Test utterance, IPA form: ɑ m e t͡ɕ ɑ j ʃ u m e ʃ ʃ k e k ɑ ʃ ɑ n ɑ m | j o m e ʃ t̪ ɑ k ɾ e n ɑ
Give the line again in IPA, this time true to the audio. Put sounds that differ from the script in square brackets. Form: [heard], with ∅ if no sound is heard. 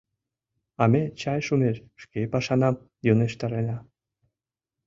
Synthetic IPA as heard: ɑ m e t͡ɕ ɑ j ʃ u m e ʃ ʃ k e [p] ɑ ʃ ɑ n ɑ m | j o [n] e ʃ t̪ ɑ [∅] ɾ e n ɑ